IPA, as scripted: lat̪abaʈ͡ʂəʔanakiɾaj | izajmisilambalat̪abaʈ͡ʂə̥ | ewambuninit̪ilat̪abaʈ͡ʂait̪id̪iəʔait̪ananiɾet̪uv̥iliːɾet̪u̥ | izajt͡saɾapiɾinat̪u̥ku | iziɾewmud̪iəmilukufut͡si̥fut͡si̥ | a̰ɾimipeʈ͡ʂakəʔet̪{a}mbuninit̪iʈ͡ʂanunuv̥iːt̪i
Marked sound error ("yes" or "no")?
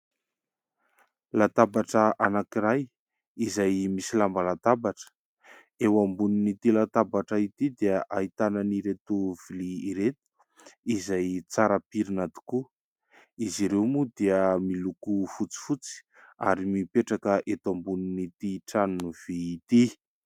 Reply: no